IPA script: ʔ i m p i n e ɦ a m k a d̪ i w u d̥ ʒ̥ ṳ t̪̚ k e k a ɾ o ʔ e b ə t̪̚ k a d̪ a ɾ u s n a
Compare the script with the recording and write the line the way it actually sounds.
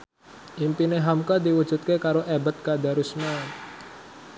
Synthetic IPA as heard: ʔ i m p i n e ɦ a m k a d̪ i w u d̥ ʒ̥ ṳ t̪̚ k e k a ɾ o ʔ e b ə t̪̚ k a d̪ a ɾ u s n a